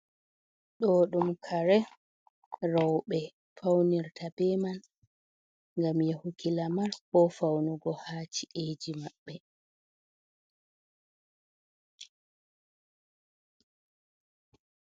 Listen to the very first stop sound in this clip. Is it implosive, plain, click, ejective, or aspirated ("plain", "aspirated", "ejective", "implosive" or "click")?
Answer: implosive